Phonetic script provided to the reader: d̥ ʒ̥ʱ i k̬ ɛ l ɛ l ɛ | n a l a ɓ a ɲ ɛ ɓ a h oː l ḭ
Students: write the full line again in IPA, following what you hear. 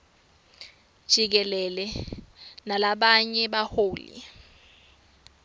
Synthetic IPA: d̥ ʒ̥ʱ i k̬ ɛ l ɛ l ɛ | n a l a ɓ a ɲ ɛ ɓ a h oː l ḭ